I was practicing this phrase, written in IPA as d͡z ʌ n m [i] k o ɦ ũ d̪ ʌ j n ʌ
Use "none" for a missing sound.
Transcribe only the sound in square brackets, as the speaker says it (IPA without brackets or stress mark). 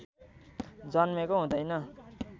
e